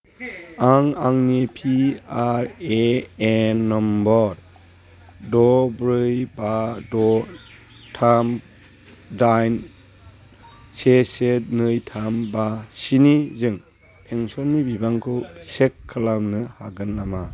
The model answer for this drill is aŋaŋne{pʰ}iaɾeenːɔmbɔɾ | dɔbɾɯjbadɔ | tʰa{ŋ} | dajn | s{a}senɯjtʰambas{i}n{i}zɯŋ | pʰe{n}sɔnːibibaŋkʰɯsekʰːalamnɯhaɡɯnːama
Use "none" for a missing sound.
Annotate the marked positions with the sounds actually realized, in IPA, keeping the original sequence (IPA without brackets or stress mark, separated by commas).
pʰ, m, e, i, i, ŋ